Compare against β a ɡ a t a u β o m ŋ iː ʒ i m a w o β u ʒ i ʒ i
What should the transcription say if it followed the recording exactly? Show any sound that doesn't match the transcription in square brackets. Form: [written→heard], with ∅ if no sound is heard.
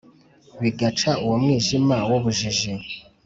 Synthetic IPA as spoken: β [a→i] ɡ a [t→t͡ʃ] a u [β→w] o m ŋ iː ʒ i m a w o β u ʒ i ʒ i

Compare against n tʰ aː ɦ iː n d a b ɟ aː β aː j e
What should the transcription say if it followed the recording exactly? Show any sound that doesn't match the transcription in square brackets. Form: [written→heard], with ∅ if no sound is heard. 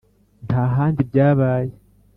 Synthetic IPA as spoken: n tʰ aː ɦ [iː→aː] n d [a→i] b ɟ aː β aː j e

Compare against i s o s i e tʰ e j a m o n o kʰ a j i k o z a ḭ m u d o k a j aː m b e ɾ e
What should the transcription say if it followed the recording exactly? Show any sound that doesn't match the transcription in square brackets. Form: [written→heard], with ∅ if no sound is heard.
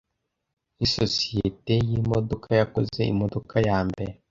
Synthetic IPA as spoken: i s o s i e [tʰ→t] e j [a→i] m o [n→d] o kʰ a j [i→a] k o z [a→e] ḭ m [u→o] d o k a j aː m b e ɾ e

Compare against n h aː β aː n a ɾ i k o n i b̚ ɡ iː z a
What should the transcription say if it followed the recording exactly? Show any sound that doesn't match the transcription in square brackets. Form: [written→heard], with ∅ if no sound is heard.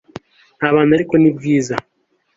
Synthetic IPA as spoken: n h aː β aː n a ɾ i k o n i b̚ ɡ iː z a

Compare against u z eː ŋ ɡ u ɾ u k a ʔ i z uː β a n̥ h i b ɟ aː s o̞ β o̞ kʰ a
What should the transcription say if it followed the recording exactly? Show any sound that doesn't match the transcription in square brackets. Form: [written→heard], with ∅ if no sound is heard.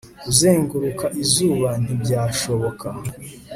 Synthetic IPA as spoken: u z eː ŋ ɡ u ɾ u k a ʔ i z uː β a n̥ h i b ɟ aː [s→ʃ] o̞ β o̞ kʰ a

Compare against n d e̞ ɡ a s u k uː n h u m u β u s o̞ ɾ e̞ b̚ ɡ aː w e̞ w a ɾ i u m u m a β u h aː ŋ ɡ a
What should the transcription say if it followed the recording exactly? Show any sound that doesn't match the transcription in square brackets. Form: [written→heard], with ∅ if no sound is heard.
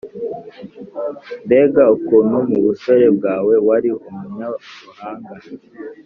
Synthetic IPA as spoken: n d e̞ ɡ a [s→∅] u k uː n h u m u β u s o̞ ɾ e̞ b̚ ɡ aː w e̞ w a ɾ i u m u [m→ɲ] a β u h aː ŋ ɡ a

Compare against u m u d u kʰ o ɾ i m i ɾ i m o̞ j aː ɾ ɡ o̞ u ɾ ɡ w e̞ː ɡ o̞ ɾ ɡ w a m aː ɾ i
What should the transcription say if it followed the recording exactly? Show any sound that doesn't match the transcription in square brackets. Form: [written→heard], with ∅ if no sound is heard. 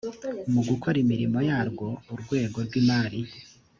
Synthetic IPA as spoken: u m u [d→ɡ] u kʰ o ɾ i m i ɾ i m o̞ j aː ɾ ɡ o̞ u ɾ ɡ w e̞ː ɡ o̞ ɾ ɡ w [a→i] m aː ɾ i

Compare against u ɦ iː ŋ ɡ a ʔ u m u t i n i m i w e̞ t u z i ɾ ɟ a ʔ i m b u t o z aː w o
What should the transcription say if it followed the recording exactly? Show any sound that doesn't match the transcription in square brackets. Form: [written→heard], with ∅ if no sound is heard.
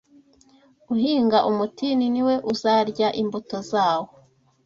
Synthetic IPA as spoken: u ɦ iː ŋ ɡ a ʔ u m u t i n i [m→n] i w e̞ [t→ʔ] u z [i→a] ɾ ɟ a ʔ i m b u t o z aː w o

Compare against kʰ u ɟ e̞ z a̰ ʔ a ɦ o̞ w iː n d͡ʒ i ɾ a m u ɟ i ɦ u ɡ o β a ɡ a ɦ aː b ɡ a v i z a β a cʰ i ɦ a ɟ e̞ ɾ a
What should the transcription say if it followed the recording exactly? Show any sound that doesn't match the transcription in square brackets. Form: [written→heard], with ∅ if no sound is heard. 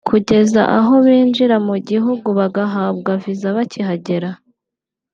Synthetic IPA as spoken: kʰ u ɟ e̞ z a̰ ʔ a ɦ o̞ [w→β] iː n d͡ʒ i ɾ a m u ɟ i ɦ u ɡ [o→u] β a ɡ a ɦ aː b ɡ a v i z a β a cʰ i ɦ a ɟ e̞ ɾ a

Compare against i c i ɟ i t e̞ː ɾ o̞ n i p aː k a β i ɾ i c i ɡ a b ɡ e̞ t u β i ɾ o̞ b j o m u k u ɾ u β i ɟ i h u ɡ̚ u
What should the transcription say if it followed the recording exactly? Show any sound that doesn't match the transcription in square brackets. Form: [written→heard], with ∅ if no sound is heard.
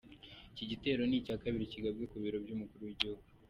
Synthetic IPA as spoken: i c i ɟ i t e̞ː ɾ o̞ n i [p→c] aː k a β i ɾ i c i ɡ a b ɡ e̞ [t→k] u β i ɾ o̞ b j [o→u] m u k u ɾ u [β→w] i ɟ i h u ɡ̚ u

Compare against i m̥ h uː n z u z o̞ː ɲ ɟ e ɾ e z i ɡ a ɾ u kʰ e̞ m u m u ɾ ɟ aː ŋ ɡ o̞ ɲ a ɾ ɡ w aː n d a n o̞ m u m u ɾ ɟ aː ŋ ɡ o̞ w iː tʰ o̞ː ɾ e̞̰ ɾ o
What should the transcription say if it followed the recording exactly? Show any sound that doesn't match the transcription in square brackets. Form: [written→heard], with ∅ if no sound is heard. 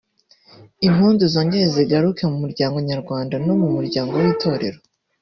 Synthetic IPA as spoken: i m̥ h uː n z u z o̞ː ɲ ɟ e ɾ e z i ɡ a ɾ u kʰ e̞ m u m u ɾ ɟ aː ŋ ɡ o̞ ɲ a ɾ ɡ w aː n d a n o̞ m u m u ɾ ɟ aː ŋ ɡ o̞ w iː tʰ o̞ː ɾ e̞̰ ɾ o

